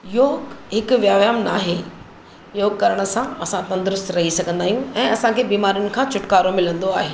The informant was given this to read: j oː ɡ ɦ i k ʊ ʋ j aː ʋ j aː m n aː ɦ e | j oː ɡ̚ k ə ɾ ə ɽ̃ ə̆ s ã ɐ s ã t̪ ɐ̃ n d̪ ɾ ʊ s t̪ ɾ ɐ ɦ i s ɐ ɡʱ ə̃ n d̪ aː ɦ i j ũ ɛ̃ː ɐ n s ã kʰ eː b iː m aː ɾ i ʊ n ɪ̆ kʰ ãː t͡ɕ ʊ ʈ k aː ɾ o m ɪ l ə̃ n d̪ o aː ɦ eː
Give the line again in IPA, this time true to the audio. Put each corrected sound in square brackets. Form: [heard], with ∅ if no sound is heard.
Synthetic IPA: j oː ɡ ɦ [ɪ] k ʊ ʋ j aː ʋ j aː m n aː ɦ e | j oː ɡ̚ k [ɐ] ɾ ə ɽ̃ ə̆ s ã ɐ s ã t̪ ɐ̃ n d̪ ɾ ʊ s t̪ ɾ ɐ ɦ i s ɐ ɡʱ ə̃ n d̪ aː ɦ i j ũ ɛ̃ː ɐ [∅] s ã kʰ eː b iː m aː ɾ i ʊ n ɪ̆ kʰ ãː t͡ɕ ʊ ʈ k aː ɾ o m ɪ l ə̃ n d̪ o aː ɦ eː